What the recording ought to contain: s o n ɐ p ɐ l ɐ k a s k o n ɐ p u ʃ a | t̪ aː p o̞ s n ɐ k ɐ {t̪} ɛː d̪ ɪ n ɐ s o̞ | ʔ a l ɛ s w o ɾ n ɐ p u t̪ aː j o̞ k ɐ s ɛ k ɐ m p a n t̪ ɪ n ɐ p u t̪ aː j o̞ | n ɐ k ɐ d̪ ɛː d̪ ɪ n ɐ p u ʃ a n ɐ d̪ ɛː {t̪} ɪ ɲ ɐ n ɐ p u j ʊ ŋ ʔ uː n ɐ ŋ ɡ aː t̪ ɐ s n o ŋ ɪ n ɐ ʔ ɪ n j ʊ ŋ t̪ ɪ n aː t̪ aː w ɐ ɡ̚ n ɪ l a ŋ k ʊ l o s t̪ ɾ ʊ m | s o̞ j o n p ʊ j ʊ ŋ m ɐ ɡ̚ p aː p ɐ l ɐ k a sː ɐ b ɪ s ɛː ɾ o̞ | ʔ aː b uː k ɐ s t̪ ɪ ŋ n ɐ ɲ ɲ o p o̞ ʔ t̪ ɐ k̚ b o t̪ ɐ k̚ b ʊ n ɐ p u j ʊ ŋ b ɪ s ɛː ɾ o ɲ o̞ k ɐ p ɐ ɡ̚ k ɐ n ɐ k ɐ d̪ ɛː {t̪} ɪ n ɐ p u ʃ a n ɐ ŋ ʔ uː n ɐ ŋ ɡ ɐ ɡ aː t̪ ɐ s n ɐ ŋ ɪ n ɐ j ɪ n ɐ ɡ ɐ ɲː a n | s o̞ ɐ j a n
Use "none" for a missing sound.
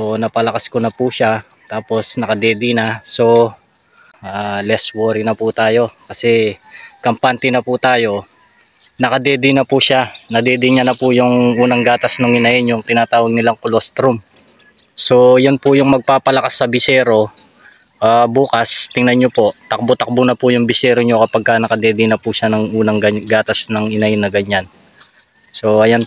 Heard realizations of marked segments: d̪, d̪, d̪

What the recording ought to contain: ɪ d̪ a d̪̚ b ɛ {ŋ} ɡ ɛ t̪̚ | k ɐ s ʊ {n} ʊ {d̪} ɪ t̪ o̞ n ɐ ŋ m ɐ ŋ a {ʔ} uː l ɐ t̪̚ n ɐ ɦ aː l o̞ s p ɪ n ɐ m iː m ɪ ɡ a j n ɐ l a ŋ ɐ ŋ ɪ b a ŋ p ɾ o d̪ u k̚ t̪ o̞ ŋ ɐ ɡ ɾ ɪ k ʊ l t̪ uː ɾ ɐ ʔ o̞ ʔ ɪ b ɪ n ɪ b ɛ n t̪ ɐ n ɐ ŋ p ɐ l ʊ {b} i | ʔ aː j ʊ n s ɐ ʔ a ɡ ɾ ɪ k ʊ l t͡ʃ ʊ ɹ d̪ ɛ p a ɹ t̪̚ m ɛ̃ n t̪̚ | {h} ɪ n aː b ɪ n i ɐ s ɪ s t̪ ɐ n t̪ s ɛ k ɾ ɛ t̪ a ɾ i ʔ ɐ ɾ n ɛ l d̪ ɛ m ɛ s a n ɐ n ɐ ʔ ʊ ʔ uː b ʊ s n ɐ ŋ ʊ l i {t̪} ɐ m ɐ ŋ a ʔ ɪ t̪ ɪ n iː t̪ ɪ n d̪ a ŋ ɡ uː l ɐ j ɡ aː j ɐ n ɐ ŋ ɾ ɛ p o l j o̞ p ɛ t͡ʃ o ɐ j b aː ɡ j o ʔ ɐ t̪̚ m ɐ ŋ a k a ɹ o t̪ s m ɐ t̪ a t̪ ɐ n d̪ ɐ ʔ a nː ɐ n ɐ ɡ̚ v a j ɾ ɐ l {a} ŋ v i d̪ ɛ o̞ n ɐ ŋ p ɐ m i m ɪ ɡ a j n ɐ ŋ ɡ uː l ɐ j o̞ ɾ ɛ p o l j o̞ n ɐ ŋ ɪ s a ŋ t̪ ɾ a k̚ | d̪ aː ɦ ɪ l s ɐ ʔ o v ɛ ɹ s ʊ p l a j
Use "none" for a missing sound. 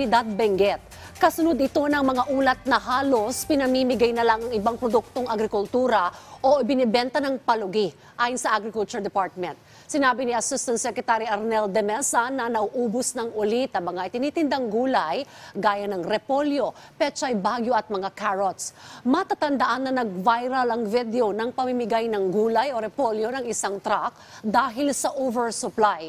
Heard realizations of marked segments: ŋ, n, d̪, ʔ, ɡ, s, t̪, ɐ

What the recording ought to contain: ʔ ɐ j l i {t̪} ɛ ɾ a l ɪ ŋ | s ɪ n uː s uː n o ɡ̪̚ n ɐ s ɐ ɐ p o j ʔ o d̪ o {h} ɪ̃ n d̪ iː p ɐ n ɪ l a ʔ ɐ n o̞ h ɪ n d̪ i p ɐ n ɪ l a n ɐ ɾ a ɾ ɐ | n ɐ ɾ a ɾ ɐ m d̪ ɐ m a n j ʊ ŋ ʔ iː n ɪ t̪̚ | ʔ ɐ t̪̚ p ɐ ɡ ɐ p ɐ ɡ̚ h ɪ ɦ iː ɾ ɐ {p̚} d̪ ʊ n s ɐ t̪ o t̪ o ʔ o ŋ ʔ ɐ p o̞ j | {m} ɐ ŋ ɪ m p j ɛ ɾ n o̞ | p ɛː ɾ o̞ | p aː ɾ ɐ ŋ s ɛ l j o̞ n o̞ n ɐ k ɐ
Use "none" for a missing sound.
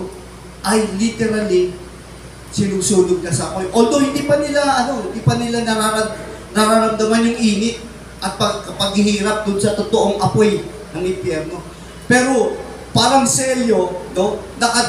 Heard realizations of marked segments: t̪, h, p̚, n

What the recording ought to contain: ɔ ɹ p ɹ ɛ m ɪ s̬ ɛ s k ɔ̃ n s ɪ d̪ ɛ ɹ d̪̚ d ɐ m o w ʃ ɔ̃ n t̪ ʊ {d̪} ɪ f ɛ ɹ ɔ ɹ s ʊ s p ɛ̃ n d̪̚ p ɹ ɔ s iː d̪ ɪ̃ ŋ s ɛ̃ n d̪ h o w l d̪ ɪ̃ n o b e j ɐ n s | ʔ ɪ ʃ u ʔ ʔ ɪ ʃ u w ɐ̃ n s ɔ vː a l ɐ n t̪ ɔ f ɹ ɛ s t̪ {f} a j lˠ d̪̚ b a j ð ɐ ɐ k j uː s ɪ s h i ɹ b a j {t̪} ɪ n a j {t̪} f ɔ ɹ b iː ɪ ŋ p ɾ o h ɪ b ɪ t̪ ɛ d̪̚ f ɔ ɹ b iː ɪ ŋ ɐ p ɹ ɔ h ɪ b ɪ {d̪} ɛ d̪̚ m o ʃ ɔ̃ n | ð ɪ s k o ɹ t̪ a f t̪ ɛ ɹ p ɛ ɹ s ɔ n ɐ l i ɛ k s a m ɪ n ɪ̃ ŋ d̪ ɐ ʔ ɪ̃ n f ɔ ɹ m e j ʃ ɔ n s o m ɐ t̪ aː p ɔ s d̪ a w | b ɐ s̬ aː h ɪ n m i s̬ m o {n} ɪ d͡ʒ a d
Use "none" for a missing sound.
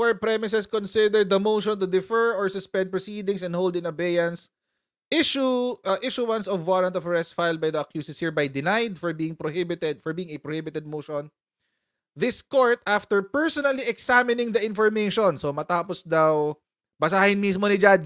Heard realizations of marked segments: d̪, f, d̪, d̪, t̪, n

